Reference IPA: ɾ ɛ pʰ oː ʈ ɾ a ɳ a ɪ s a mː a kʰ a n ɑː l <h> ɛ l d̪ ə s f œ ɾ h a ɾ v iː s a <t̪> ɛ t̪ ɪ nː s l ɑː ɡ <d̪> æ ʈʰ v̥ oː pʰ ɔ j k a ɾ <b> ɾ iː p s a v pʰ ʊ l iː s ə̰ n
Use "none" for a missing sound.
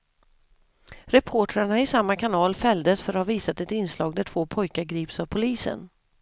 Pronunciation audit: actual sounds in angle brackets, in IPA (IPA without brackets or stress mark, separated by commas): f, t̪, d̪, ɡ